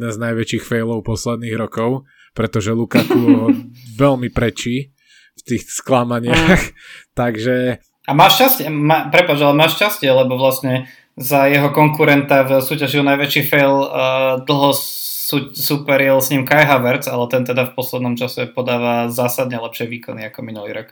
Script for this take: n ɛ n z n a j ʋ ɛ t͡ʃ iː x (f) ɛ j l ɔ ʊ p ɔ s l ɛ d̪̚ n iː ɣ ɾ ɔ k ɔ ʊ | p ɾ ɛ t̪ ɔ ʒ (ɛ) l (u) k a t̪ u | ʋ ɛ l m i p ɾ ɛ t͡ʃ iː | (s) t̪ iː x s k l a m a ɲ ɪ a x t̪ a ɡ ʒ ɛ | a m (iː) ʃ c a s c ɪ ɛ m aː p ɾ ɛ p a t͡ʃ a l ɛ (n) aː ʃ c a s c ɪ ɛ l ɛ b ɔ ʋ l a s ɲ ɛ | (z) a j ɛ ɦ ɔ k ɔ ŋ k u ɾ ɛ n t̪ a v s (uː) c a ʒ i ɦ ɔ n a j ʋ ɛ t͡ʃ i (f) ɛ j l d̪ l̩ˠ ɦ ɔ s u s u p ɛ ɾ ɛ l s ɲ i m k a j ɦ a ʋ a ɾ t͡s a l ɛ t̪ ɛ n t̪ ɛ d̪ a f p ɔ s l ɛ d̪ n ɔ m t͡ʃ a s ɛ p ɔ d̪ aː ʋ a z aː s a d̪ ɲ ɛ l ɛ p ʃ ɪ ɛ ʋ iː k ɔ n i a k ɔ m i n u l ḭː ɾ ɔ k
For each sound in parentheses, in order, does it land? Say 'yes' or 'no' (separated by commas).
yes, yes, yes, no, no, no, yes, yes, yes